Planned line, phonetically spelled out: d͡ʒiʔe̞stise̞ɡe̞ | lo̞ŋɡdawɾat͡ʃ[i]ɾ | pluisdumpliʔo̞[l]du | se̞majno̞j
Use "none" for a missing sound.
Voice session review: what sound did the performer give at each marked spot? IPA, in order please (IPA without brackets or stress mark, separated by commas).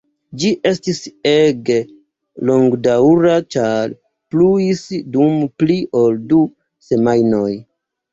a, l